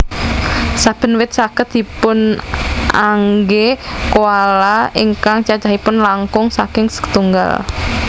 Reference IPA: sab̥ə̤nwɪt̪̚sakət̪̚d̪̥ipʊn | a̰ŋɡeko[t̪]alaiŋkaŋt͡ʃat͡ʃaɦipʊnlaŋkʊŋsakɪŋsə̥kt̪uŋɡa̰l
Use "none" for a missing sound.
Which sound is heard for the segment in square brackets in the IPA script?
none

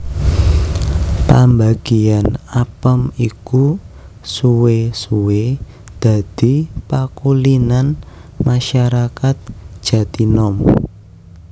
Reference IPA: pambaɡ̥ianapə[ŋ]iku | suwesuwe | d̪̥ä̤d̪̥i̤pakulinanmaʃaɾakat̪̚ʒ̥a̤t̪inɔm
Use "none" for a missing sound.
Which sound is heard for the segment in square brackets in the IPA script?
m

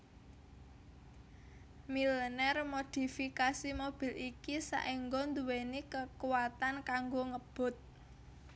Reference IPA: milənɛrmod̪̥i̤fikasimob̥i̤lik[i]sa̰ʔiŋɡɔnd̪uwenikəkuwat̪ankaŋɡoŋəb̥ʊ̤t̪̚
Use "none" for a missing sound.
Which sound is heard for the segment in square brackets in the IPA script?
i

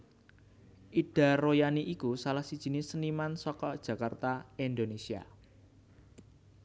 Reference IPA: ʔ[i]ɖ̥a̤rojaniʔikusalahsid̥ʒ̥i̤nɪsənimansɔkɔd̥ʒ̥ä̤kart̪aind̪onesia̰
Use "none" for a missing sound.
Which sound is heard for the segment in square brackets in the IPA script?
i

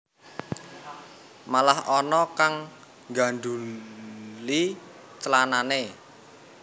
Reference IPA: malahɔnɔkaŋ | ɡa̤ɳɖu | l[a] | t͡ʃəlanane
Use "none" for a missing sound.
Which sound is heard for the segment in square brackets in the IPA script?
i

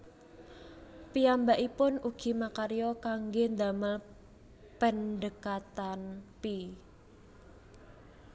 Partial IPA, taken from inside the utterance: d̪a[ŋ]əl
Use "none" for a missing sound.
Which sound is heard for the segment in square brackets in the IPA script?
m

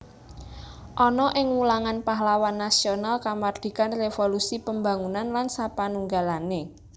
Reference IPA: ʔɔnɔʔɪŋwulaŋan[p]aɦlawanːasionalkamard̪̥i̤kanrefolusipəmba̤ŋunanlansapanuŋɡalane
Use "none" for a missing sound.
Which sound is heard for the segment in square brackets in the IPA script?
p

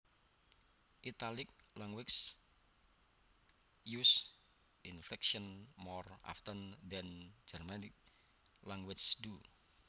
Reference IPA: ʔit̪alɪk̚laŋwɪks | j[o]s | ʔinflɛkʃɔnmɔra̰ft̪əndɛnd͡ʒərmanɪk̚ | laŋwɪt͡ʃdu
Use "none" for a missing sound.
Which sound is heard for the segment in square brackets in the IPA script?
u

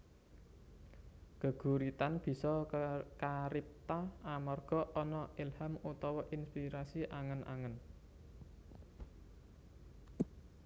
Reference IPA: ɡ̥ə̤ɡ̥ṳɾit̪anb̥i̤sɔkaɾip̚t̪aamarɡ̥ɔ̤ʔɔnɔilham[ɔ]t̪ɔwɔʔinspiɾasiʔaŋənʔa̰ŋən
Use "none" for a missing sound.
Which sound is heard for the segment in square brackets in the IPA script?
u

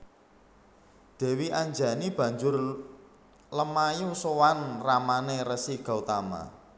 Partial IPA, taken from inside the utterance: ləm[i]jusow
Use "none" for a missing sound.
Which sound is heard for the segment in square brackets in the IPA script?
a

